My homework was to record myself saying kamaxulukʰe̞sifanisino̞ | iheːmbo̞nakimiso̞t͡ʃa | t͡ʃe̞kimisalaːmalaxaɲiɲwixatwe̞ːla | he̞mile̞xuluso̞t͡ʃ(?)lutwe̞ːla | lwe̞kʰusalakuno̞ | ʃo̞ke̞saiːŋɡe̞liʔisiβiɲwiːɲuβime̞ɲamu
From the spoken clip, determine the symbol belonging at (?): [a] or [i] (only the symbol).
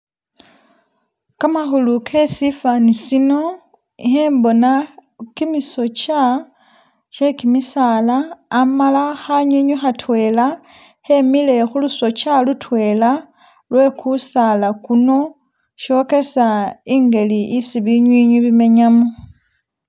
a